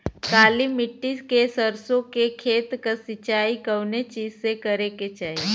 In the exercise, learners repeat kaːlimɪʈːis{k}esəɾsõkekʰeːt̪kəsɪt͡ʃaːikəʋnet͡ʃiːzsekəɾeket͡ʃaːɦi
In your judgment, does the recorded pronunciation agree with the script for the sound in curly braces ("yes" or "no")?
yes